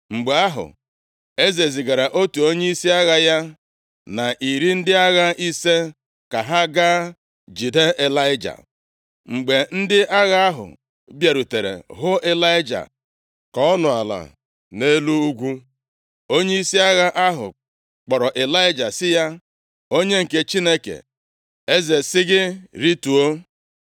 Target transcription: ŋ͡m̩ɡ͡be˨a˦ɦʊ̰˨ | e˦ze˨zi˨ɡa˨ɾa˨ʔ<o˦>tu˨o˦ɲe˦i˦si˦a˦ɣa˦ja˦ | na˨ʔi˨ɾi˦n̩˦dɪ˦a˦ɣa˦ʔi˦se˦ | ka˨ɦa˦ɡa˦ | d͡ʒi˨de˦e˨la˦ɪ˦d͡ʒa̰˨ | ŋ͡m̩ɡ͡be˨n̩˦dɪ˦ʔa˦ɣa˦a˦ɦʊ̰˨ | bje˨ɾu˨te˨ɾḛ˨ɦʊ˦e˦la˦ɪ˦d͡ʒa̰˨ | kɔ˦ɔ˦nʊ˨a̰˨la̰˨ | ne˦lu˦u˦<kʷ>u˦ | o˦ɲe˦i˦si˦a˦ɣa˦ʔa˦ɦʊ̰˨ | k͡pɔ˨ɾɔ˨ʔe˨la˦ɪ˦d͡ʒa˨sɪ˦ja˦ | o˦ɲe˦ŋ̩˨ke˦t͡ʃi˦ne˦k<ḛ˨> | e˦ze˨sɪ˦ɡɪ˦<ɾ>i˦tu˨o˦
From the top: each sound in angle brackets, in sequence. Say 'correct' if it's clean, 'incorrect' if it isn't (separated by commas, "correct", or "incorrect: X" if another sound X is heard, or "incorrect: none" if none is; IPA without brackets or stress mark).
correct, incorrect: ɡʷ, correct, correct